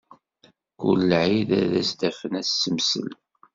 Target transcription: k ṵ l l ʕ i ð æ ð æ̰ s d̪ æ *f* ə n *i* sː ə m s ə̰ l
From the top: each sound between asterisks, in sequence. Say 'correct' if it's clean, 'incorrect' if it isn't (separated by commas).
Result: correct, incorrect